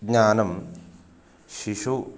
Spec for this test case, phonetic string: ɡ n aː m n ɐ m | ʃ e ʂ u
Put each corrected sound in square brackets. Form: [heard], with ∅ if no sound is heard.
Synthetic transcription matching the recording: ɡ [ɲ] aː [∅] n ɐ m | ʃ [i] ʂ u